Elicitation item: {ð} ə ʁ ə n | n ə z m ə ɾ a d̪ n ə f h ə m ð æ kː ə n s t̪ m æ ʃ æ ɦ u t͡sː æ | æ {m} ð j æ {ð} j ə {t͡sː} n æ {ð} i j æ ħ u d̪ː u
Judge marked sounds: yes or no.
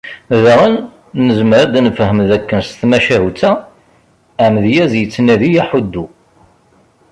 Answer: yes, yes, no, yes, yes

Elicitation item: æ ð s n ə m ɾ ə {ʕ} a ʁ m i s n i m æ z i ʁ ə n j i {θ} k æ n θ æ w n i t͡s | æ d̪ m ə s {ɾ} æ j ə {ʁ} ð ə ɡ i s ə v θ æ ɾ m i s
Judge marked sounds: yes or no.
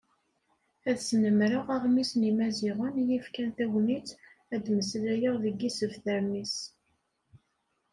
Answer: no, no, no, yes

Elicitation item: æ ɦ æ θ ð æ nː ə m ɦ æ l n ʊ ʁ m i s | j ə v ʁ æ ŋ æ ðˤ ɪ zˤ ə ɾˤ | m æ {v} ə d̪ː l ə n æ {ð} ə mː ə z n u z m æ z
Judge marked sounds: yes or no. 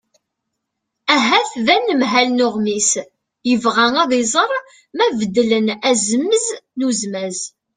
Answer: yes, no

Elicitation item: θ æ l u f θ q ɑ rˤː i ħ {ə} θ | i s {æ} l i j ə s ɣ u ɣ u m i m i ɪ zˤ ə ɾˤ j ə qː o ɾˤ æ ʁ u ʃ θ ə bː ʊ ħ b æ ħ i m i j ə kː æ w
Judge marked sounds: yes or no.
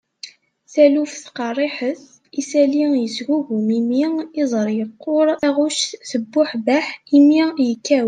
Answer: yes, yes

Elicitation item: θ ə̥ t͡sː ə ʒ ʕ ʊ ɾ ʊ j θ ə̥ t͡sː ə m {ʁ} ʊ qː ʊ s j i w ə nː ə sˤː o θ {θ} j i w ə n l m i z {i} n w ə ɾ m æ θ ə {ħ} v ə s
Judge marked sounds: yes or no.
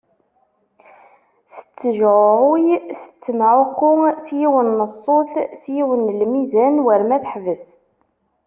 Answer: no, no, no, yes

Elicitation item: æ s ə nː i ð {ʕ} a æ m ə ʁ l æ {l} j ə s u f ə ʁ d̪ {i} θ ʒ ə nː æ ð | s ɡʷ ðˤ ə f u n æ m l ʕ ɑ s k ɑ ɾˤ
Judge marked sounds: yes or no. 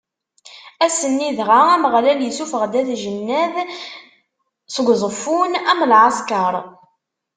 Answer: no, yes, no

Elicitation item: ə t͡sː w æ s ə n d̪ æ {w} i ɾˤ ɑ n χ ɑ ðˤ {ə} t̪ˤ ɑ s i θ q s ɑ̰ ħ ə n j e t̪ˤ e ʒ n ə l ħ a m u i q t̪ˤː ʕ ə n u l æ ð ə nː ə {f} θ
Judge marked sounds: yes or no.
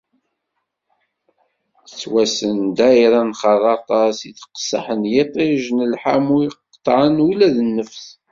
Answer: no, no, yes

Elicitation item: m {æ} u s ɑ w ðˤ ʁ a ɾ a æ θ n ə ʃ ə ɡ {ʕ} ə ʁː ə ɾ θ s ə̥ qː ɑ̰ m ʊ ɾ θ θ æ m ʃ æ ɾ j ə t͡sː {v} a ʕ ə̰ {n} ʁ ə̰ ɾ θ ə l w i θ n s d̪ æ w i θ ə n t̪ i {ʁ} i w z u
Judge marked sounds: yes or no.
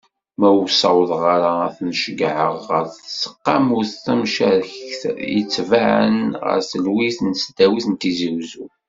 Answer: yes, yes, yes, yes, no

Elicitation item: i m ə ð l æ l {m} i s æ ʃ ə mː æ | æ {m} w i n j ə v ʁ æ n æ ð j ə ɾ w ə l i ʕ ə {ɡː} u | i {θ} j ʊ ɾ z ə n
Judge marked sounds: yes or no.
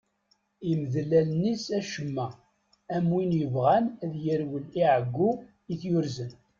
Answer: no, yes, yes, yes

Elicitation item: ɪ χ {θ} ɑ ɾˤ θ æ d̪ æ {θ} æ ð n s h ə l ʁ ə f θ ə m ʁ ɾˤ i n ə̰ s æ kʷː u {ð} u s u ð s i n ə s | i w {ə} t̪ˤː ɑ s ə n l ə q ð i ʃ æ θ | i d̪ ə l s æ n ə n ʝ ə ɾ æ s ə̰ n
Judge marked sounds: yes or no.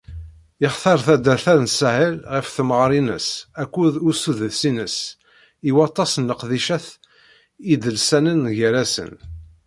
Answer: yes, yes, yes, no

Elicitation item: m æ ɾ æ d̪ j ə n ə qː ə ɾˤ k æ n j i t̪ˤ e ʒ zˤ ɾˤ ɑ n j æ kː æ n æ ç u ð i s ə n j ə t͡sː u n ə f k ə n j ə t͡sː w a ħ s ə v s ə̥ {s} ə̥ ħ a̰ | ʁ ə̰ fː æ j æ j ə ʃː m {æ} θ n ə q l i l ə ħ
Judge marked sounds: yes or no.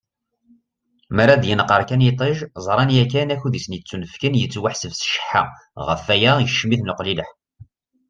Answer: no, no

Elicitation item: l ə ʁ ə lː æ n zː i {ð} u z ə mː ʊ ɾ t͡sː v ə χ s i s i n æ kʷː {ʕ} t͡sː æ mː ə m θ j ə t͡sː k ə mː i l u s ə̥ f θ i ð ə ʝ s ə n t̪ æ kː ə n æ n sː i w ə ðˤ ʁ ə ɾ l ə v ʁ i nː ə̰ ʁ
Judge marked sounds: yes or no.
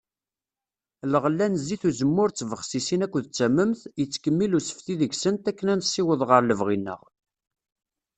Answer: no, no

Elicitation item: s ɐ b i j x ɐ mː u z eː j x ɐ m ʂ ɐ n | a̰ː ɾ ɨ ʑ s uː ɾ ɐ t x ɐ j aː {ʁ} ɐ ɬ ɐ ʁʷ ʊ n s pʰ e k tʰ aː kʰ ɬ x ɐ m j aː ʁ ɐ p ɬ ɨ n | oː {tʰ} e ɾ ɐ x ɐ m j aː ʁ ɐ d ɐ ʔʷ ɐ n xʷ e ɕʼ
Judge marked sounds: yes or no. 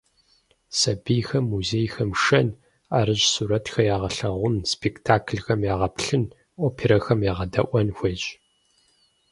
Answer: yes, no

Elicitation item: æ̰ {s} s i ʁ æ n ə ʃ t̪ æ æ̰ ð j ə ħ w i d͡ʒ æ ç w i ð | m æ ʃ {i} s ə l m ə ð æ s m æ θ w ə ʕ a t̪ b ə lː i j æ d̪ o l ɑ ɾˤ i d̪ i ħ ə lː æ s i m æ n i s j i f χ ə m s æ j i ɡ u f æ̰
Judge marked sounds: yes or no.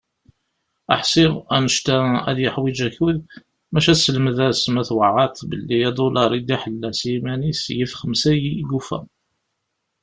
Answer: no, no

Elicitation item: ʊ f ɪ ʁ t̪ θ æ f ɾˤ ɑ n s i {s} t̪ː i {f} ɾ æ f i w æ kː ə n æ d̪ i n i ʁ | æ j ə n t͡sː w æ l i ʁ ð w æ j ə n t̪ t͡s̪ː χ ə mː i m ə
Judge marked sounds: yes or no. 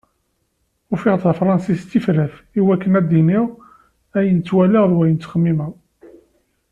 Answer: yes, yes

